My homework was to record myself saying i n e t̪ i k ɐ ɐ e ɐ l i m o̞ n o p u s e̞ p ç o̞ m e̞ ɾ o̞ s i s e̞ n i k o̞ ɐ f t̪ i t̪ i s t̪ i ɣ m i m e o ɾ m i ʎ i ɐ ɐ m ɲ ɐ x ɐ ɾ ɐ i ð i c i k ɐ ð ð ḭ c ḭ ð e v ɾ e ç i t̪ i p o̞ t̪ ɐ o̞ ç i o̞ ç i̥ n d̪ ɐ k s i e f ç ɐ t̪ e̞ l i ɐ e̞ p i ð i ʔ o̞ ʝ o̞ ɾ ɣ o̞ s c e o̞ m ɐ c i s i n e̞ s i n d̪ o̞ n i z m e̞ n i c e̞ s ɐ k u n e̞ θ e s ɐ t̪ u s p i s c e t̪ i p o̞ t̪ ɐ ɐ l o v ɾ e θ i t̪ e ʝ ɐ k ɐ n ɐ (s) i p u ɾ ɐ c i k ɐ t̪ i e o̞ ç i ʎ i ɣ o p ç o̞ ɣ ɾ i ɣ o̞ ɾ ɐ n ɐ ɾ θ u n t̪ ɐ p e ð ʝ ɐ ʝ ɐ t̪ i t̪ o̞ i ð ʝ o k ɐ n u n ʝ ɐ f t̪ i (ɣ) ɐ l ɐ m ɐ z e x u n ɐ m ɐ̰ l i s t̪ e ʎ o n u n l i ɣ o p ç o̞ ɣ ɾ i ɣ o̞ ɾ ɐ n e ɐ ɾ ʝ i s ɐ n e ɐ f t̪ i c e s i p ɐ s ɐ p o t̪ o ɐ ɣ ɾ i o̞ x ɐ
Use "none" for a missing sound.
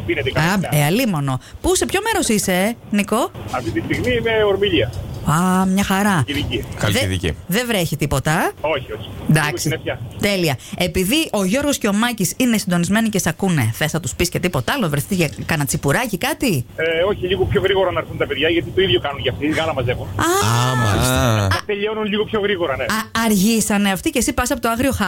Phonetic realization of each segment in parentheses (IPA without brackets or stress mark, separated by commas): t͡s, ɣ